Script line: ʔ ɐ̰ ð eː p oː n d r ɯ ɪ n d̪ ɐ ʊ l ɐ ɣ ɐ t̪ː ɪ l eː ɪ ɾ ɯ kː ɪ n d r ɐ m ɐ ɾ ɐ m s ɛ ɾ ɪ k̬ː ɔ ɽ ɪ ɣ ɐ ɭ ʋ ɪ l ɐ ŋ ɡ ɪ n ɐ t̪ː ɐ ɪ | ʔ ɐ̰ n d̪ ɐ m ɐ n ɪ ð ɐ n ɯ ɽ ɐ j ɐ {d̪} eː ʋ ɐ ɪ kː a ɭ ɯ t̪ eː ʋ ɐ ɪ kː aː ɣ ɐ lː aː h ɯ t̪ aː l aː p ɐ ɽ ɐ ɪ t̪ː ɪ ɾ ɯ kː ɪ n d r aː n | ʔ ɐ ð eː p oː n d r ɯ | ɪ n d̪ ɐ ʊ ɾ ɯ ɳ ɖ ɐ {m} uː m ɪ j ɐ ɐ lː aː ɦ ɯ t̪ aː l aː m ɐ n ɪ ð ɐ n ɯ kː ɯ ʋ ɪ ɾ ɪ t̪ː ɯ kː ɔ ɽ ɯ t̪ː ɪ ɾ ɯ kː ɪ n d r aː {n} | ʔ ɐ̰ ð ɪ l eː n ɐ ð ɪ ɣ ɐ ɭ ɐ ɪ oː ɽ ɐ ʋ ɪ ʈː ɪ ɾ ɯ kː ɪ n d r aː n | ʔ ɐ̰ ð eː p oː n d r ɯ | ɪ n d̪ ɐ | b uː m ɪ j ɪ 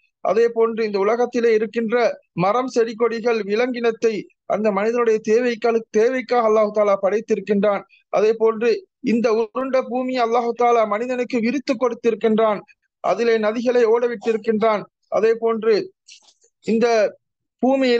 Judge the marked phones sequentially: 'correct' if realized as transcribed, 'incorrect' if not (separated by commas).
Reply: incorrect, incorrect, correct